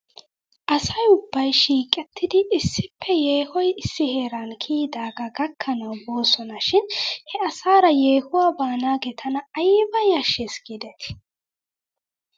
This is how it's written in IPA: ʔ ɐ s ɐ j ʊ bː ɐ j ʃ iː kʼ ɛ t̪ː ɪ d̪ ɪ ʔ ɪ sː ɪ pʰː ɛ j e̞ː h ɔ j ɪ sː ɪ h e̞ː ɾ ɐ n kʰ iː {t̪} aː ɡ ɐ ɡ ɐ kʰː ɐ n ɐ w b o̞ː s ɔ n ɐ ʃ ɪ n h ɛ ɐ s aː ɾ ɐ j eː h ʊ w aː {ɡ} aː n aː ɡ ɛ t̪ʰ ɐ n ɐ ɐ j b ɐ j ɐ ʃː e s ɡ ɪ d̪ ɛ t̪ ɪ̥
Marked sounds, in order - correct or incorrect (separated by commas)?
incorrect, incorrect